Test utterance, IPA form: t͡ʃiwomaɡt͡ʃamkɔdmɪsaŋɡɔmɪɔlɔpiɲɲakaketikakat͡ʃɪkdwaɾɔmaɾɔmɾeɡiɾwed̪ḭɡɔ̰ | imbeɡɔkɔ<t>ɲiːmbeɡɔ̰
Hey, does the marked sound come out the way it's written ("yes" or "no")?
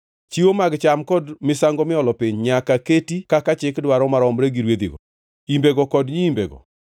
no